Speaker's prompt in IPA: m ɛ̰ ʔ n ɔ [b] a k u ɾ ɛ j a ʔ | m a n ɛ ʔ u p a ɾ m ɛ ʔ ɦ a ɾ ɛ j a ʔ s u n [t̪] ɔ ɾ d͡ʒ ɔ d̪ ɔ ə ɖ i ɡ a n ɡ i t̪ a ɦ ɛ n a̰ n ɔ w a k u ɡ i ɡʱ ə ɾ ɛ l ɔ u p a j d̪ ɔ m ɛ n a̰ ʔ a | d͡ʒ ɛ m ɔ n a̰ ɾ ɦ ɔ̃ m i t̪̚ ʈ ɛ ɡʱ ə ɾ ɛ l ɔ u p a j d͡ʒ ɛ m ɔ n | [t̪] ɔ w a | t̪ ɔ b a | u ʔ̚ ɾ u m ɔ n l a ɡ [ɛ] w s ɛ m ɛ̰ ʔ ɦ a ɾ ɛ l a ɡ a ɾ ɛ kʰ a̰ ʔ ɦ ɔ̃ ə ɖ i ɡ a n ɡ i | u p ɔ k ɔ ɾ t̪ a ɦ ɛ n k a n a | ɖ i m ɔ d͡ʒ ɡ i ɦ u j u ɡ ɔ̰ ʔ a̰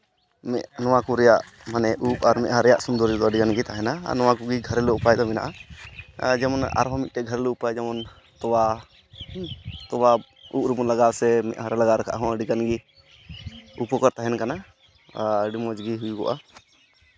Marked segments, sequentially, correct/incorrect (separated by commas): incorrect, incorrect, correct, incorrect